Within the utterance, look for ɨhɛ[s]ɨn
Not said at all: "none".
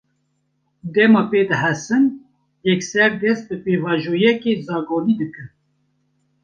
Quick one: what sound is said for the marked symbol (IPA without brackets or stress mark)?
s